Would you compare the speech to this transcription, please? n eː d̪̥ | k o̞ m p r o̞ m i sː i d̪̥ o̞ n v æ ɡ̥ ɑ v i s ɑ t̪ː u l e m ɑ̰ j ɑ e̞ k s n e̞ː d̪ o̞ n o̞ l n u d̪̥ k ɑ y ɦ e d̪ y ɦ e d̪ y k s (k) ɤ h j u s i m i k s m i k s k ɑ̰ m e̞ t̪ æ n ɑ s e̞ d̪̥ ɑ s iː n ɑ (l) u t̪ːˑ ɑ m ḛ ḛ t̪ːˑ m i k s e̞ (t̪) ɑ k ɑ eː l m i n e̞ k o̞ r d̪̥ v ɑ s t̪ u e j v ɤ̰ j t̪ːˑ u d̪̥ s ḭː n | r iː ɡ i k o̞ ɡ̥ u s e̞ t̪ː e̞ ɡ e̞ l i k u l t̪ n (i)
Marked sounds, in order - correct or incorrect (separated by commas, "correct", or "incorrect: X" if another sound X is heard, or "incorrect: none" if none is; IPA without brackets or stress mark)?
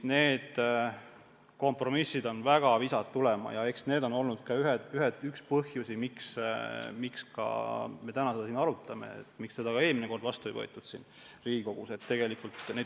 incorrect: p, incorrect: ɾ, incorrect: d̪, incorrect: e